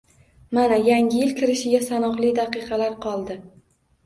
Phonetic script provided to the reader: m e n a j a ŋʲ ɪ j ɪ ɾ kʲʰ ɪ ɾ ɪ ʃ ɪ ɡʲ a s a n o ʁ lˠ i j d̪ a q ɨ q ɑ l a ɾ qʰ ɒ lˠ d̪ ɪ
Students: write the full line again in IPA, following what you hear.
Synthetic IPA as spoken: m a n a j a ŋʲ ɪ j ɪ l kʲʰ ɪ ɾ ɪ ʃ ɪ ɡʲ a s a n ɒ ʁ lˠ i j d̪ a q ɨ q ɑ l a ɾ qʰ ɒ lˠ d̪ ɪ